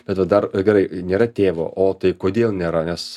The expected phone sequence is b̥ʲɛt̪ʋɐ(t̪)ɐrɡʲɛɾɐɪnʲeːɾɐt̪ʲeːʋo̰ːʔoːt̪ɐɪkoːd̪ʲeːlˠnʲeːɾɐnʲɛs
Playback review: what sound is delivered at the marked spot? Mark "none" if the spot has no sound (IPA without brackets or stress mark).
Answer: d̪